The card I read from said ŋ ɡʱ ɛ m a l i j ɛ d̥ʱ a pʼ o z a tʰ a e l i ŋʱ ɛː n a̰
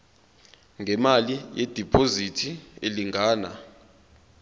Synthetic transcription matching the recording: ŋ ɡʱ ɛ m a l i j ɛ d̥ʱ i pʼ o z i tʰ i e l i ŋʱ aː n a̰